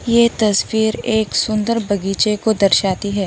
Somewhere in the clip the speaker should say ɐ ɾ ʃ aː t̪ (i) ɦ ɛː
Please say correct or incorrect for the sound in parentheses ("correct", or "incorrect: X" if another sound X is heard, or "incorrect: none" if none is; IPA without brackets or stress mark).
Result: correct